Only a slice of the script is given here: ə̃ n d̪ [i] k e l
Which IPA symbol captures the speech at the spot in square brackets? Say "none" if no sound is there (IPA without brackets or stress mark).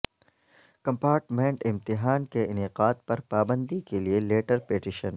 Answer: i